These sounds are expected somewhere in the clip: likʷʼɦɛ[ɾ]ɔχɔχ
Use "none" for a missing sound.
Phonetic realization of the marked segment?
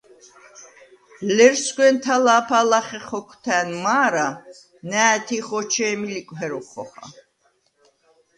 ɾ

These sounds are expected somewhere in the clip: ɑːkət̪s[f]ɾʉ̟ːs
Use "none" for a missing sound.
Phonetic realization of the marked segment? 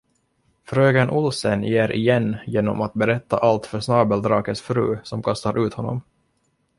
f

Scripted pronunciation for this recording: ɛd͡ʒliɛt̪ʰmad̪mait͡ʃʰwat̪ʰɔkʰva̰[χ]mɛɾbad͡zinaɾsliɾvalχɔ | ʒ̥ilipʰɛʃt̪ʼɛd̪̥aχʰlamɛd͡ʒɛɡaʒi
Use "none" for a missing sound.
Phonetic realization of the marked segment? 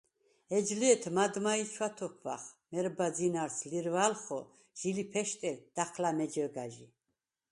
χ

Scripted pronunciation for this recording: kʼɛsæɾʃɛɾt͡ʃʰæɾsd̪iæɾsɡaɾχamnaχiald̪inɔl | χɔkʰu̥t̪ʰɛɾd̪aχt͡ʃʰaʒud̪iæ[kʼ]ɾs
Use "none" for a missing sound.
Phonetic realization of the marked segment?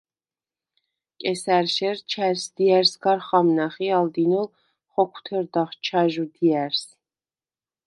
none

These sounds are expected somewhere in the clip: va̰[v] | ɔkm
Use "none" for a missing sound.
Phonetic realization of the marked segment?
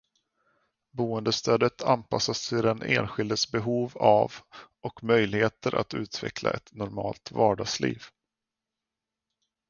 v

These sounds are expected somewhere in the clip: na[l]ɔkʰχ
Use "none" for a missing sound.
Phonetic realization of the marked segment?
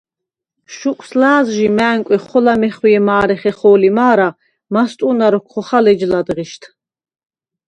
ɾ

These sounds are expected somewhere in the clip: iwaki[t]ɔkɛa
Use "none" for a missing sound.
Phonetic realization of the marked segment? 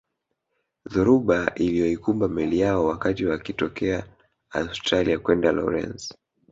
t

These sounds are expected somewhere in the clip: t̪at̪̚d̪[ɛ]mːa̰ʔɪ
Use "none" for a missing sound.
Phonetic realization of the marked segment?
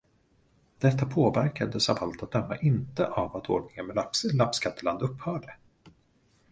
œ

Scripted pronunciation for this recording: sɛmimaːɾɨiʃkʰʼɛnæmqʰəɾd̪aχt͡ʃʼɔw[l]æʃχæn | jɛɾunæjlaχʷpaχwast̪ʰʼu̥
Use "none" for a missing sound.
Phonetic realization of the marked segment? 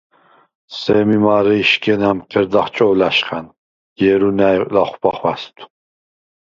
l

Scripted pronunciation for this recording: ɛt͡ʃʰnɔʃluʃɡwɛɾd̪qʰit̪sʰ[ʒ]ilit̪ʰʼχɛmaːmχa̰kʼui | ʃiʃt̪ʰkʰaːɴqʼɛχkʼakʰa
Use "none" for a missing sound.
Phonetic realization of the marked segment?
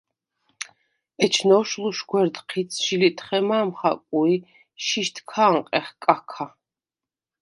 ʃ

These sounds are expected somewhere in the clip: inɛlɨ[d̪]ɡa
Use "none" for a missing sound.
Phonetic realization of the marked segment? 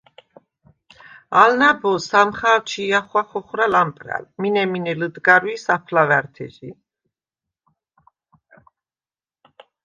d̪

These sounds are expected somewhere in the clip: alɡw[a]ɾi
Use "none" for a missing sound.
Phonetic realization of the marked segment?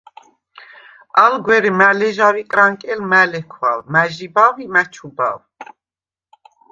ɛ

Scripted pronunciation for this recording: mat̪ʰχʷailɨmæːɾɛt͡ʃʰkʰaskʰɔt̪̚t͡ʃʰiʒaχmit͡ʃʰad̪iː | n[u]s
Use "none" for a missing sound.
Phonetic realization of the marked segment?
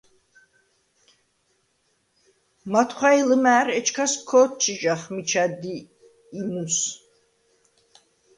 u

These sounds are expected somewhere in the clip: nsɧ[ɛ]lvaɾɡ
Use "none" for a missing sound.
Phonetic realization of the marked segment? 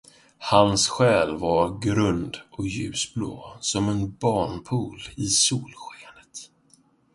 ɛː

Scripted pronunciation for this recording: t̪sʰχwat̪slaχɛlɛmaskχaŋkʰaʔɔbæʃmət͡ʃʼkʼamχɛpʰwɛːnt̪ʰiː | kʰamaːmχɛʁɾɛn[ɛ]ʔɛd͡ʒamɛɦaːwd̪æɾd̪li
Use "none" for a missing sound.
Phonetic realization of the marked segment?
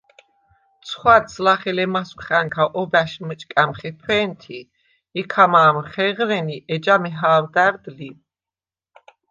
i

